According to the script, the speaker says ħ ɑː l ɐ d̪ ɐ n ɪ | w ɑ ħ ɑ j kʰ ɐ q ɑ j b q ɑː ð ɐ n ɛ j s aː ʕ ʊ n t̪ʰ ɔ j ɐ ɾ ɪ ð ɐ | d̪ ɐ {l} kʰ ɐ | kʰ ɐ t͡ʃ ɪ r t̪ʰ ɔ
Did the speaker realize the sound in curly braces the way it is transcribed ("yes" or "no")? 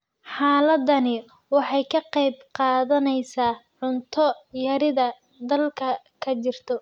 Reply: yes